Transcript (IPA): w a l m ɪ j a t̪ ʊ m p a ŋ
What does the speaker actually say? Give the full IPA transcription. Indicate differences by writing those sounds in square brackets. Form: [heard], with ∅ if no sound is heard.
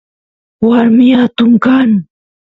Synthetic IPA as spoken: w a [ɾ] m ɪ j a t̪ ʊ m [k] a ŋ